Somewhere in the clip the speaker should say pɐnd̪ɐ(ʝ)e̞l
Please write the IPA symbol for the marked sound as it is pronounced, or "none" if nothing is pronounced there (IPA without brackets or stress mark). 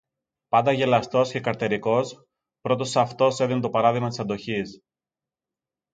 ʝ